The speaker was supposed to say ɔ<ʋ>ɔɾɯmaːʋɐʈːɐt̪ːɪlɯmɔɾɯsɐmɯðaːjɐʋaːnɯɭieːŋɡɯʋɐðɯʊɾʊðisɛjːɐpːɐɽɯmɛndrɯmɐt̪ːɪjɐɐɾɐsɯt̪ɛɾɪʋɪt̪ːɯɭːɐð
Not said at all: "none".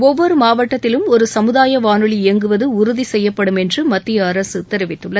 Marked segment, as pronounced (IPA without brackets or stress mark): ʋː